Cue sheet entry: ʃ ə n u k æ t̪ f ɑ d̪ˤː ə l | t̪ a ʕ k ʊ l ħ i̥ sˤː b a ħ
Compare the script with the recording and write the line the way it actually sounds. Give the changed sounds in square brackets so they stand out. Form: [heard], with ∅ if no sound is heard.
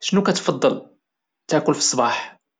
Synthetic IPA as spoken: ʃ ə n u k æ t̪ f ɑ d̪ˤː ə l | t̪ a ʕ k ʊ l [f] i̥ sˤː b [ɑ] ħ